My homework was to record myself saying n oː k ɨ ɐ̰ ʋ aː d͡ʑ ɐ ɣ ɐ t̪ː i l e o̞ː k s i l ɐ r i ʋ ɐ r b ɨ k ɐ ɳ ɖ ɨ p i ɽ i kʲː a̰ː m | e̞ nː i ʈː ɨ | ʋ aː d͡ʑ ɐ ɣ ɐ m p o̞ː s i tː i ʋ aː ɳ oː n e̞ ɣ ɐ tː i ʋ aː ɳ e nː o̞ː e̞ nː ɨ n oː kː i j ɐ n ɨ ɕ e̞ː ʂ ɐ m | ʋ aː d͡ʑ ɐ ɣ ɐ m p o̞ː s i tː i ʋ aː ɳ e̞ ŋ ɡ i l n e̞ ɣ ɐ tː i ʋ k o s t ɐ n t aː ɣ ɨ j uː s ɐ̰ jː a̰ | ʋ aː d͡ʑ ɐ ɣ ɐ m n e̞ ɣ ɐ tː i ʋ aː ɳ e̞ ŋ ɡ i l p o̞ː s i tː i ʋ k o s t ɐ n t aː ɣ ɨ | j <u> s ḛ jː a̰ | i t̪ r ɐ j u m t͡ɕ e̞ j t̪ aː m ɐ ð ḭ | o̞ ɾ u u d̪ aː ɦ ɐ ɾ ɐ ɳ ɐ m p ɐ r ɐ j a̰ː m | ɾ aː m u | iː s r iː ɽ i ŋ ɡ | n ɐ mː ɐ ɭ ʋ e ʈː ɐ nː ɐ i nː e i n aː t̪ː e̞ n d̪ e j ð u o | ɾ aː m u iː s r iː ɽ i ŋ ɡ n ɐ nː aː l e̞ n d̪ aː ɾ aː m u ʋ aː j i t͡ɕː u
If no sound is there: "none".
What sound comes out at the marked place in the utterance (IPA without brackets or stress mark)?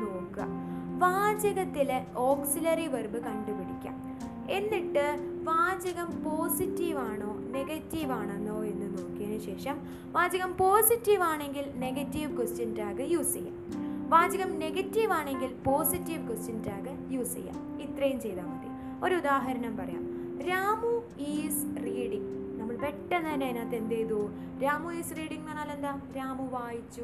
uː